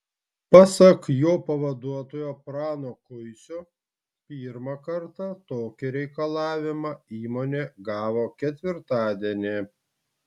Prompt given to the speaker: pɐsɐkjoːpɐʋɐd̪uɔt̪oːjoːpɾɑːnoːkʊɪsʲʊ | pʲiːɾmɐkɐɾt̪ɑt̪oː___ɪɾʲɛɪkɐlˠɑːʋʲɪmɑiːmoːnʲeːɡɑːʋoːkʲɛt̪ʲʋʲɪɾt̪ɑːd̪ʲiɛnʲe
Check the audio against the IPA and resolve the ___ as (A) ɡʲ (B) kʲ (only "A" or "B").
B